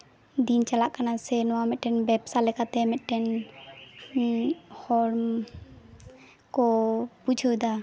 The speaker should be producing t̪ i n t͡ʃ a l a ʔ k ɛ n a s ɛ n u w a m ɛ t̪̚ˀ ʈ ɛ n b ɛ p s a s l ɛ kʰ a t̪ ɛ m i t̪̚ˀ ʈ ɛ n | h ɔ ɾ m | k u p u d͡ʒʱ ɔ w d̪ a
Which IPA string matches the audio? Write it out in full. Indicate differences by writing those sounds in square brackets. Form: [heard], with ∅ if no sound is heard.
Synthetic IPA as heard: [d̪] i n t͡ʃ a l a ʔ k [a] n a s ɛ n [ɔ] w a m ɛ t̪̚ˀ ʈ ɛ n b ɛ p s a [∅] l ɛ [k] a t̪ ɛ m [ɛ] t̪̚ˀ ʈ ɛ n | h ɔ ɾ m | k [ɔ] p u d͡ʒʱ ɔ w d̪ a